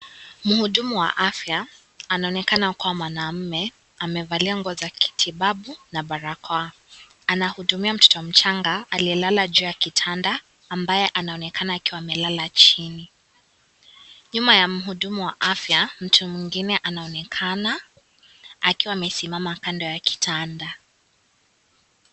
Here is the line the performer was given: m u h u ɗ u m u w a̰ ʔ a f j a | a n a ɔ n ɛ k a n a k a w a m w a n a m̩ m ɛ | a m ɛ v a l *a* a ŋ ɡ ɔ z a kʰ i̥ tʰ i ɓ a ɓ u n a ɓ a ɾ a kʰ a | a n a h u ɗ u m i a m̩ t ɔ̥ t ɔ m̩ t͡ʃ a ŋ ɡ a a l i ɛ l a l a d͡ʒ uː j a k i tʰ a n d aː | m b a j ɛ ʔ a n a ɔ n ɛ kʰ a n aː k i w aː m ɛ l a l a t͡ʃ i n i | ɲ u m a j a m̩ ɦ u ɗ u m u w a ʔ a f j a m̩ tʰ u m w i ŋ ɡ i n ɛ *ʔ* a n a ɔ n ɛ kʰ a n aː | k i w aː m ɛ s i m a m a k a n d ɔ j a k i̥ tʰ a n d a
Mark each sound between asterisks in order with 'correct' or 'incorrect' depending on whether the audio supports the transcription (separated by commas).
incorrect, correct